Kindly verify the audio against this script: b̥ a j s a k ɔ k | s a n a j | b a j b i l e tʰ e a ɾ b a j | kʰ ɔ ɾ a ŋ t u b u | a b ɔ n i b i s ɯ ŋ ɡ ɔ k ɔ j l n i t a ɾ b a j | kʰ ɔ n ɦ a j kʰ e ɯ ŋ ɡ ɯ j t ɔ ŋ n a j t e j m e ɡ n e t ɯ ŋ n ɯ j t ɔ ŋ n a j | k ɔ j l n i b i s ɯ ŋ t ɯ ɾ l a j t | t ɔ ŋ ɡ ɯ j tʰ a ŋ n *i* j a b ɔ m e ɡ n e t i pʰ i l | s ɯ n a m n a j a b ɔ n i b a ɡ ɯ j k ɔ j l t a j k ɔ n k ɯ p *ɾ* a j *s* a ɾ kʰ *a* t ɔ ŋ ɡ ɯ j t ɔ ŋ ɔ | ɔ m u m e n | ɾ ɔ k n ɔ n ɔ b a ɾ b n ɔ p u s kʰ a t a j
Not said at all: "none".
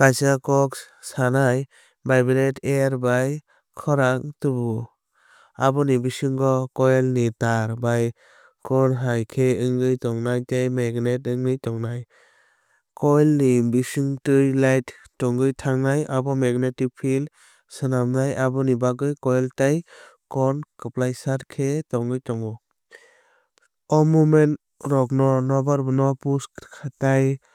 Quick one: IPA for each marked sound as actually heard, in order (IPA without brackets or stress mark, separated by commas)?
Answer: a, l, s, e